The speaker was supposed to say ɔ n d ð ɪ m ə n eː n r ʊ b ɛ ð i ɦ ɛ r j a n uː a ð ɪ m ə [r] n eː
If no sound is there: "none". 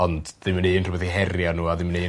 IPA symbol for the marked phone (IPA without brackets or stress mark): none